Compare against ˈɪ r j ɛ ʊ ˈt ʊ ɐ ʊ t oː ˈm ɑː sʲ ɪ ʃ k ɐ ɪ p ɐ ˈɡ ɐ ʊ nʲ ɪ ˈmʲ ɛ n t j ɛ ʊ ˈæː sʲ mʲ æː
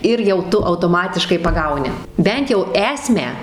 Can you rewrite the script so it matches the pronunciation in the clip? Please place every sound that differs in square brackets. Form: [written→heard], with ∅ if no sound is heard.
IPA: ˈɪ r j ɛ ʊ ˈt ʊ ɐ ʊ t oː ˈm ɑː [sʲ→tʲ] ɪ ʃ k ɐ ɪ p ɐ ˈɡ ɐ ʊ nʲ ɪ [ˈmʲ→ˈbʲ] ɛ n t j ɛ ʊ ˈæː sʲ mʲ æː